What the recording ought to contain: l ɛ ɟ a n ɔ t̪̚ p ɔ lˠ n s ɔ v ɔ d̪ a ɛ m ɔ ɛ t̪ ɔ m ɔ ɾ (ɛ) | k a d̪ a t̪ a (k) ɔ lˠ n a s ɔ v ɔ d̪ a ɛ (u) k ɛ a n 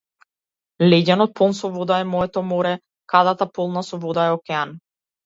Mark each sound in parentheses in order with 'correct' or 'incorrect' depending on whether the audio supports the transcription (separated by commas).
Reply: correct, incorrect, incorrect